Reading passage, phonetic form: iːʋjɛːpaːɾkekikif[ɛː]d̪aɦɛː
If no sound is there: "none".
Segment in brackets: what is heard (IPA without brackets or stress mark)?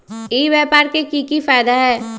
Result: aː